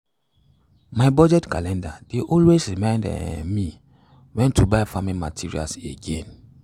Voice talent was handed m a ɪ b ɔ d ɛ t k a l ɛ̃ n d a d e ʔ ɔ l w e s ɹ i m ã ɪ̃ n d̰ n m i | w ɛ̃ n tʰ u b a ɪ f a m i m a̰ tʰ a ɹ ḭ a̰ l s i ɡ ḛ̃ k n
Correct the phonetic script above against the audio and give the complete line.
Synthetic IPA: m a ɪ b ɔ d͡ʒ ɛ t k a l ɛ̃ n d a d e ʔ ɔ l w e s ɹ i m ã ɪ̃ n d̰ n m i | w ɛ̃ n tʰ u b a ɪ f a m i m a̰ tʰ i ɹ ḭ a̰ l s e ɡ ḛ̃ n